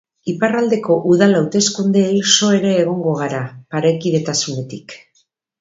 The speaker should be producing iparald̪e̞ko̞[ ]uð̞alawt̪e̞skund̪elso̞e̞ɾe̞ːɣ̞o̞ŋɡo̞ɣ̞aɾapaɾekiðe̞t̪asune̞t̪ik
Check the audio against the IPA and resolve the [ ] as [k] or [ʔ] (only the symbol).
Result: ʔ